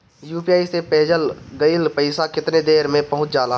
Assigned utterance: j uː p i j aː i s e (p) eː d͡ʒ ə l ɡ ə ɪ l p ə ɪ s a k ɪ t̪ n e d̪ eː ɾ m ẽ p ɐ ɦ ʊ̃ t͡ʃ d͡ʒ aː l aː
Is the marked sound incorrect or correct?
correct